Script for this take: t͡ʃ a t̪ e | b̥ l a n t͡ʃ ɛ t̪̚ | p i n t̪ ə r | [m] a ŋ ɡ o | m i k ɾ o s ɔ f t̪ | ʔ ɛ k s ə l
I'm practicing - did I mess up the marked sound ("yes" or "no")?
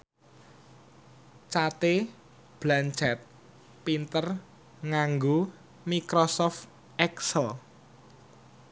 yes